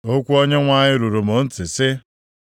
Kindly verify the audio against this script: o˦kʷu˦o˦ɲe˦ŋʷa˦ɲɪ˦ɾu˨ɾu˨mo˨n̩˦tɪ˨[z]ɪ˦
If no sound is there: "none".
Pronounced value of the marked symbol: s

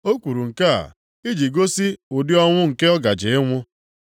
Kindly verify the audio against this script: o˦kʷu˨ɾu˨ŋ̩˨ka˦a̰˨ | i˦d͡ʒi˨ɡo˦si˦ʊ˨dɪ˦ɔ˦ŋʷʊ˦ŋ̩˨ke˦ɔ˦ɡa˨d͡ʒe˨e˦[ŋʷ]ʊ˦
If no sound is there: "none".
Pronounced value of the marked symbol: ŋʷ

